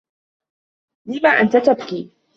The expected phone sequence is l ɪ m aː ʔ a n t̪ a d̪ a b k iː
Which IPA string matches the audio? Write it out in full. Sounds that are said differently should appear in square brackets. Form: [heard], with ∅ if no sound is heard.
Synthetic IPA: l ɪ m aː ʔ a n t̪ a [t̪] a b k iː